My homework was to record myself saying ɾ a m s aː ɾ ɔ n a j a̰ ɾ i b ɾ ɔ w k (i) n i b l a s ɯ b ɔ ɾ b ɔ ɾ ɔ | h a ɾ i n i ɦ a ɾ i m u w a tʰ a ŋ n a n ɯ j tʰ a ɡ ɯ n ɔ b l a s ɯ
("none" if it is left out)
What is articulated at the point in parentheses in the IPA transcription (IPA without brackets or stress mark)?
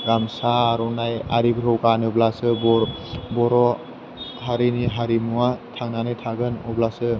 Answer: a